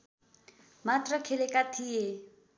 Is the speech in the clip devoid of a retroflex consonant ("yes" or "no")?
yes